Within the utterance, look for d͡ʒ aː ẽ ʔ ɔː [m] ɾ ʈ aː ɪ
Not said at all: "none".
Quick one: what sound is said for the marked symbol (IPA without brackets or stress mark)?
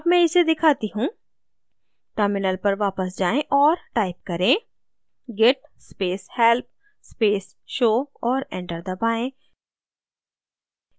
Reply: none